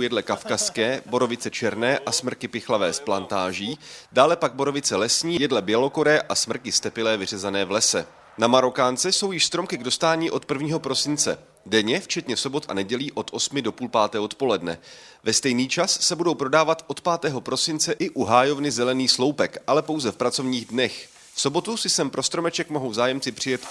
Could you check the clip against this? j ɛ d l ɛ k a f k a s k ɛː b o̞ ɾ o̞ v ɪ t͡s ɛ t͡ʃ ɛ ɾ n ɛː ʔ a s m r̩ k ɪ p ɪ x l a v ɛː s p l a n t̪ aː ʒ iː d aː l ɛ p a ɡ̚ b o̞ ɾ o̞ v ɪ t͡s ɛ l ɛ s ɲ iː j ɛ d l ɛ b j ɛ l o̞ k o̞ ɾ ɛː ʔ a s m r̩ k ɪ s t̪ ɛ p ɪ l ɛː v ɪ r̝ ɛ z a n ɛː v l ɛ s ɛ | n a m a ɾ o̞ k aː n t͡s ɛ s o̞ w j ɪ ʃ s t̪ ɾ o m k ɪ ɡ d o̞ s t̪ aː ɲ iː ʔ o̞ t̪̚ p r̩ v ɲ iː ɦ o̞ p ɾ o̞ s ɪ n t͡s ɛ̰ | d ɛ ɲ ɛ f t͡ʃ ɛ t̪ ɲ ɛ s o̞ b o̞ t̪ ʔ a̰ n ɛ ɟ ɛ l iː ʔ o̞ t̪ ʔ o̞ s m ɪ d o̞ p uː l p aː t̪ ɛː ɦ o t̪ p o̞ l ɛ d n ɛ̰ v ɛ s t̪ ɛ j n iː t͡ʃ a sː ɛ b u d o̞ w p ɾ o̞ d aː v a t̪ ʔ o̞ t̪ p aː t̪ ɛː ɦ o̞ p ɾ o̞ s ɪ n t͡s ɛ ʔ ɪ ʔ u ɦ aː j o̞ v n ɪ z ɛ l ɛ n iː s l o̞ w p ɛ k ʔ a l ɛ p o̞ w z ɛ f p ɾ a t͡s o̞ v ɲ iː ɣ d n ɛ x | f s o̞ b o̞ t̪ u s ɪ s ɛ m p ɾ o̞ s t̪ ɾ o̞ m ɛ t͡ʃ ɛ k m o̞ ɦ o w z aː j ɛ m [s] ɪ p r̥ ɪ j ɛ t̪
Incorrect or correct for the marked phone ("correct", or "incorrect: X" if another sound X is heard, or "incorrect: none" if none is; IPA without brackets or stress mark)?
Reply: incorrect: t͡s